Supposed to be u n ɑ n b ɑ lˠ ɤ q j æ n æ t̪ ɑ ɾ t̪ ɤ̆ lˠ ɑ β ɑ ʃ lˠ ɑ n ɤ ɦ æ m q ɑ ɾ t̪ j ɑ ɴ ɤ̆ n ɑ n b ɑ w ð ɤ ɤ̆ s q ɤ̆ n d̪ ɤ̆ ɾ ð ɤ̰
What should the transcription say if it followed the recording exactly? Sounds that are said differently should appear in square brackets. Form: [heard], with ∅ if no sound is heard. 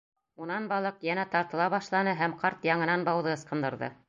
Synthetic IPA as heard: u n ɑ n b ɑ lˠ ɤ q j æ n æ t̪ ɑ ɾ t̪ ɤ̆ lˠ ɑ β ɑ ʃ lˠ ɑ n ɤ ɦ æ m q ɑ ɾ t̪ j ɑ ɴ ɤ̆ n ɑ n b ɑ w ð ɤ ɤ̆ s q ɤ̆ n d̪ ɤ̆ ɾ ð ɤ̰